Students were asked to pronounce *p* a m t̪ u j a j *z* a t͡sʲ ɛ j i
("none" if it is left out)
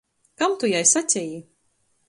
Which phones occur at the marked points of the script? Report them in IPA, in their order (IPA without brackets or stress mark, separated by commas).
k, s